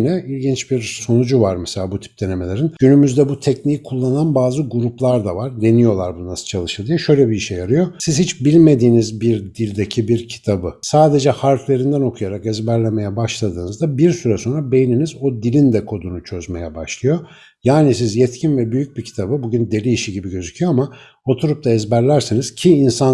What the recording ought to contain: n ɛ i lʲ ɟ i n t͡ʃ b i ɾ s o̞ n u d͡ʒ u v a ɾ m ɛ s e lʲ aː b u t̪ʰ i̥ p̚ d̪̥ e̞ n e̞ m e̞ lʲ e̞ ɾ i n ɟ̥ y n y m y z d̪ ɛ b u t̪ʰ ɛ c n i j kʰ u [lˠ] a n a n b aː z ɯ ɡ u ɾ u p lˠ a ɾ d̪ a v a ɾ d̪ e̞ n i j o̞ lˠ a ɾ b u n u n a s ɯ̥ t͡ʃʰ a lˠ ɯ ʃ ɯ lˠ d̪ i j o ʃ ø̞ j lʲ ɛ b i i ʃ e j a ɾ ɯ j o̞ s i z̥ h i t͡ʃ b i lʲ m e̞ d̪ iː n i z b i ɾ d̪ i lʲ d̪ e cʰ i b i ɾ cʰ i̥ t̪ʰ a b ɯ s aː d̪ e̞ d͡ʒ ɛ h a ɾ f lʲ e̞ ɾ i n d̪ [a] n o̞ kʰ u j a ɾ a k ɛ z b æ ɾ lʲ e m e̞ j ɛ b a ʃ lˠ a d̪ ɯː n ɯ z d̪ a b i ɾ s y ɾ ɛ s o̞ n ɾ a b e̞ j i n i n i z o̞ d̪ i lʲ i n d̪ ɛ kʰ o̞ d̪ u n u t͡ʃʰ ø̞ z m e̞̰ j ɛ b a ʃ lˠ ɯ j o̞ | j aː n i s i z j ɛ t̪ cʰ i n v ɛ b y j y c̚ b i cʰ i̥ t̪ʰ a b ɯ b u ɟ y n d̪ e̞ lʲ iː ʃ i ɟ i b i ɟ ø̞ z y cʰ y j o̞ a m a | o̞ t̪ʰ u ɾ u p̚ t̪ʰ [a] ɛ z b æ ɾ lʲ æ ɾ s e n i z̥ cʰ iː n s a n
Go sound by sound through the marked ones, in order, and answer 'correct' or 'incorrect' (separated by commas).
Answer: incorrect, incorrect, correct